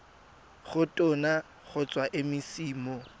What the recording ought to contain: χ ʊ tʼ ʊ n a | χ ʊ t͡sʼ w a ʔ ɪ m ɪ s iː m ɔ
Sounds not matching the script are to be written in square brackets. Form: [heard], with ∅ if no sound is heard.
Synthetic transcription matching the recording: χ ʊ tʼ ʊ n a | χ ʊ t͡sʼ w a ʔ ɪ m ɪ s iː m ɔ

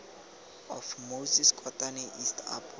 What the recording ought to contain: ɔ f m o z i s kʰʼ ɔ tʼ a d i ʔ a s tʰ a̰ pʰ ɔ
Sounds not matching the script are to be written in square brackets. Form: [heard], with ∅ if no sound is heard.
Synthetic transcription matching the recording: ɔ f m o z i s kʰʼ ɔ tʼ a [n] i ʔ [i] s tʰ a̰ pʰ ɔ

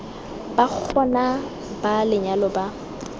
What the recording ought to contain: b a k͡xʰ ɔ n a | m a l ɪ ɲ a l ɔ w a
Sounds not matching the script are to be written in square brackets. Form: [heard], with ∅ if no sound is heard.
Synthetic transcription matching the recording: b a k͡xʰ ɔ n a | [b] a l ɪ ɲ a l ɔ [b] a

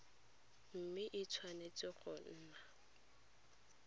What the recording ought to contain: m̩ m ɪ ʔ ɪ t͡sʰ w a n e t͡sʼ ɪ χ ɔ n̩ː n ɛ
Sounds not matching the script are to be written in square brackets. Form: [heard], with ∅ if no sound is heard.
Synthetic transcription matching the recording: m̩ m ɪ ʔ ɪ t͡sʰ w a n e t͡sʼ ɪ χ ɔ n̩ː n [a]

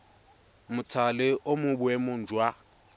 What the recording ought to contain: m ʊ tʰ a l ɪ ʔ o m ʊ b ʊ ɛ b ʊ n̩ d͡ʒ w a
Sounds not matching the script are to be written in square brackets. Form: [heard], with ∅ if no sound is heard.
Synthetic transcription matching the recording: m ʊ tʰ a l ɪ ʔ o m ʊ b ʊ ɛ [m] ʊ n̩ d͡ʒ w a

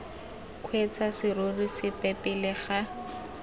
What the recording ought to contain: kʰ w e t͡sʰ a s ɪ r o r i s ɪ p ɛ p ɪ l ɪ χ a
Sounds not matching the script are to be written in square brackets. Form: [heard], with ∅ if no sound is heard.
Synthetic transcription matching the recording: kʰ w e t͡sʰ a s ɪ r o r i s ɪ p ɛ p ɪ l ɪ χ a

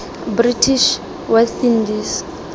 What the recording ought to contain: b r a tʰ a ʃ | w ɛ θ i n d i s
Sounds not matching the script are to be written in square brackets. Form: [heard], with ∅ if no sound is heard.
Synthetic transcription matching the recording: b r [i] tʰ [i] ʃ | w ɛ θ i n d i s

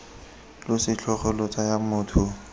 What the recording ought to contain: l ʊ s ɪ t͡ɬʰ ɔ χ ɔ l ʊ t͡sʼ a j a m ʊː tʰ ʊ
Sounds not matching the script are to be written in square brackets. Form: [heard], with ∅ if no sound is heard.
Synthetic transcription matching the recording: l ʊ s ɪ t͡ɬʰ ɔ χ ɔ l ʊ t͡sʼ a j a m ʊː tʰ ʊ

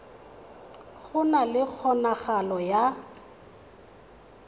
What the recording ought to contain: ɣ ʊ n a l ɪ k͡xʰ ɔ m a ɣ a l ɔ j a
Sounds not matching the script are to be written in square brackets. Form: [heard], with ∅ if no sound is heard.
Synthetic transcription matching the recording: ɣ ʊ n a l ɪ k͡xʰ ɔ [n] a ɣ a l ɔ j a

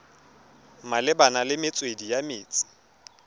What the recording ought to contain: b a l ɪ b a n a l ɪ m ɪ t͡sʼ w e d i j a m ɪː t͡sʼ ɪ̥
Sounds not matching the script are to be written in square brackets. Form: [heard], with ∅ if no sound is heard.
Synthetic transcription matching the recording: [m] a l ɪ b a n a l ɪ m ɪ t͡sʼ w e d i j a m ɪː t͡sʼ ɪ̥

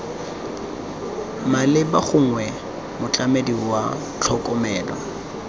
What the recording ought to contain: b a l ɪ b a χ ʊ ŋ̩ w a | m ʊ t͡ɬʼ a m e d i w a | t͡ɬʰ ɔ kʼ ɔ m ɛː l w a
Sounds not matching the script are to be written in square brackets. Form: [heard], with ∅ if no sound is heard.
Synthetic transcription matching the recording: [m] a l ɪ b a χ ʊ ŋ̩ w [ɛ] | m ʊ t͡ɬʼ a m e d i w a | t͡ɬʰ ɔ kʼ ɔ m ɛː l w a

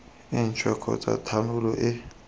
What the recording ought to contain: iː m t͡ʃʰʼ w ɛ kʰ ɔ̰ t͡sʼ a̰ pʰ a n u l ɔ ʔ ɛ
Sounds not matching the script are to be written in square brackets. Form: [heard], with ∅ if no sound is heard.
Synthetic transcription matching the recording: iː [n] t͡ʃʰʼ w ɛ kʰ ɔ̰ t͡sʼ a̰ [tʰ] a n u l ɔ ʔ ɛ

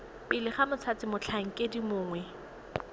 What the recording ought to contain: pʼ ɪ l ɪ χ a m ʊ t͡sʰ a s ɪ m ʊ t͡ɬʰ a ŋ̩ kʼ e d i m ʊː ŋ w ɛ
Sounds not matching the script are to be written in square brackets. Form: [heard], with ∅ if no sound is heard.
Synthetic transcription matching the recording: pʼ ɪ l ɪ χ a m ʊ t͡sʰ a [t͡s] ɪ m ʊ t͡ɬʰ a ŋ̩ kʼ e d i m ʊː ŋ w ɛ

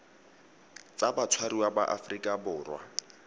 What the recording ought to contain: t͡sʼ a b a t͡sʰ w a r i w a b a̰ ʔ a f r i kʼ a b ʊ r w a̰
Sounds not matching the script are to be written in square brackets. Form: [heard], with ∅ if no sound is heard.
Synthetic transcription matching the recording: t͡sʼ a b a t͡sʰ w a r i w a b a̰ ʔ a f r i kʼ a b [ʊː] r w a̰

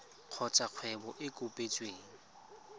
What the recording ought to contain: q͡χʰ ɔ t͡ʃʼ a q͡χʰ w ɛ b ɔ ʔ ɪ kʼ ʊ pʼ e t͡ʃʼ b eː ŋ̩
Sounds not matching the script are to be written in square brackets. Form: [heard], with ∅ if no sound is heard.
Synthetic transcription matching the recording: q͡χʰ ɔ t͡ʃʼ a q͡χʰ w ɛ b ɔ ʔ ɪ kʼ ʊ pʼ e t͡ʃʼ [w] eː ŋ̩

